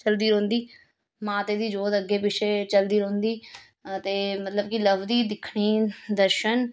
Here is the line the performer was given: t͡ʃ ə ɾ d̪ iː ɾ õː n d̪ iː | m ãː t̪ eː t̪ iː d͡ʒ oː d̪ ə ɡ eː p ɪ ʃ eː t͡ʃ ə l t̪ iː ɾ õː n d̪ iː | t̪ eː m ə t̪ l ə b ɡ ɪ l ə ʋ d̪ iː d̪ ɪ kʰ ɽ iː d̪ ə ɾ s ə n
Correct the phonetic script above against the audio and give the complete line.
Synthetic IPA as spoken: t͡ʃ ə l d̪ iː ɾ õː n d̪ iː | m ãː t̪ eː d̪ iː d͡ʒ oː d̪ ə ɡ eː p ɪ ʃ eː t͡ʃ ə l d̪ iː ɾ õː n d̪ iː | t̪ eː m ə t̪ l ə b k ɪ l ə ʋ d̪ iː d̪ ɪ kʰ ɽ iː d̪ ə ɾ ʃ ə n